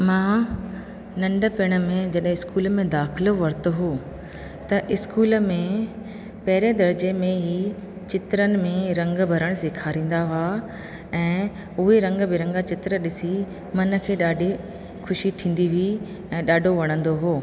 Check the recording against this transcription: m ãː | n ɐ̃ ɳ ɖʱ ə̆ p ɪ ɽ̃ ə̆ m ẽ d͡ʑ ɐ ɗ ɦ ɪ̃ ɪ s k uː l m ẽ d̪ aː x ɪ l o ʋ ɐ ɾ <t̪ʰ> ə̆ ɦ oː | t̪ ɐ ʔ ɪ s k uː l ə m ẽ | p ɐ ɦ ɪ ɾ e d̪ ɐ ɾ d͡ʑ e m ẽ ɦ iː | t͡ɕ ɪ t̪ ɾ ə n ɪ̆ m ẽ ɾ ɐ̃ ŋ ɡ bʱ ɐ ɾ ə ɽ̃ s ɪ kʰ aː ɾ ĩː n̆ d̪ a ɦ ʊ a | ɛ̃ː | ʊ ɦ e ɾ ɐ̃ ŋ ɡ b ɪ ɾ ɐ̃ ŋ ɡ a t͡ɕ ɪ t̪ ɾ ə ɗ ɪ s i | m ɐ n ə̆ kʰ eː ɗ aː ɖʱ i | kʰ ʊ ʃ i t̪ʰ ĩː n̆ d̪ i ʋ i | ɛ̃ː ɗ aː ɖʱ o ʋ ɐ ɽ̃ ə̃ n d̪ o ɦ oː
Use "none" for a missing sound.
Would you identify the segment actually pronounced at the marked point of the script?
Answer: t̪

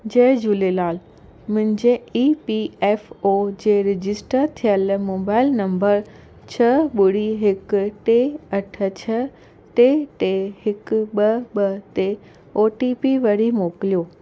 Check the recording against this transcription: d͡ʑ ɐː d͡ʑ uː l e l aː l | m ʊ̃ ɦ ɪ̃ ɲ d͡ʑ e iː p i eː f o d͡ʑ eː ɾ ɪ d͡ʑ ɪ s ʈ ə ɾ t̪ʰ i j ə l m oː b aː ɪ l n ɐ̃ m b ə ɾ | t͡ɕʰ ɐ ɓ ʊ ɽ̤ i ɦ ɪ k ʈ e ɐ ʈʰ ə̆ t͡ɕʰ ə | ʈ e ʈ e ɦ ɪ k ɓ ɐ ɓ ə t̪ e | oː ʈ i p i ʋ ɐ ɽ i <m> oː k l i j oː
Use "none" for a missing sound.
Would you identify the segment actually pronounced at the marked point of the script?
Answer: m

